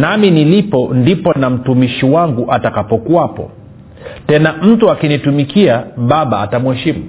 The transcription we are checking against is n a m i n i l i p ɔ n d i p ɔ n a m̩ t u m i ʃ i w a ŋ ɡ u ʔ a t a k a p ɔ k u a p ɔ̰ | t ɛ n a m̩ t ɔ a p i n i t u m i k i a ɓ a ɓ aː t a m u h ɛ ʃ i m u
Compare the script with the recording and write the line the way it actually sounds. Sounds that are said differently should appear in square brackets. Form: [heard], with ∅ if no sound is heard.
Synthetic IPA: n a m i n i l i p ɔ n d i p ɔ n a m̩ t u m i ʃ i w a ŋ ɡ u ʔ a t a k a p ɔ k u a p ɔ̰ | t ɛ n a m̩ t [u] a [k] i n i t u m i k i a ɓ a ɓ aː t a m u h ɛ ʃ i m u